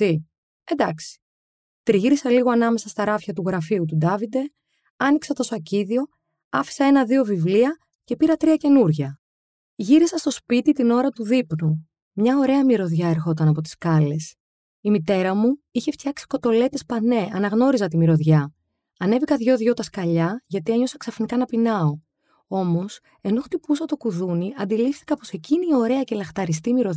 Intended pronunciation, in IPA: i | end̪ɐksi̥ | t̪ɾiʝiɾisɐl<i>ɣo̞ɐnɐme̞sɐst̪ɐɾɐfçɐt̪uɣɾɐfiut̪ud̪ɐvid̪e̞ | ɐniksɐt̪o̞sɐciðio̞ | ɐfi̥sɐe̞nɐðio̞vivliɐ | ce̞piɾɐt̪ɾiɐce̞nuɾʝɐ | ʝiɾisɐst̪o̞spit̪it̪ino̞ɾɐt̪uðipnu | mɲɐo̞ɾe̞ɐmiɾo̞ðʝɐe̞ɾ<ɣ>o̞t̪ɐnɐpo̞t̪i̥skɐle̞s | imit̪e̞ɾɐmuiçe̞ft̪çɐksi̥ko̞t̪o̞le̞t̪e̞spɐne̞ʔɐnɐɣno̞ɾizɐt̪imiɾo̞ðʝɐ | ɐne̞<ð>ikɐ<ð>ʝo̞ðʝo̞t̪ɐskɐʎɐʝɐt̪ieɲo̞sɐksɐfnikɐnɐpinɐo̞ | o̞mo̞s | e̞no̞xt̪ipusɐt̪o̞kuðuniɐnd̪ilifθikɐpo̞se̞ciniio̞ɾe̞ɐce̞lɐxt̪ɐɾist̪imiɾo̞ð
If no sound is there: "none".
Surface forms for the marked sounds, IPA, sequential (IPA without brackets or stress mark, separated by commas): i, x, v, ð